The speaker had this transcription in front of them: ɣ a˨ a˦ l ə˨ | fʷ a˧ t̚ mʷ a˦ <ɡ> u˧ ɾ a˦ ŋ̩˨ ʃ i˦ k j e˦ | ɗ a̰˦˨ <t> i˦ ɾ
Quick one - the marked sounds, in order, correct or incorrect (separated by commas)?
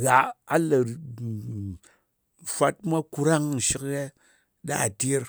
incorrect, correct